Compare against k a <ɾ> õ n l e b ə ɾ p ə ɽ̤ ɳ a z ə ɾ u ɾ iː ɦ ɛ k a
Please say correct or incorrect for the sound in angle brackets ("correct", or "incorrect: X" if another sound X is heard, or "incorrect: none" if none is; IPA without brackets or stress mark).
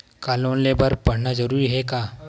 incorrect: l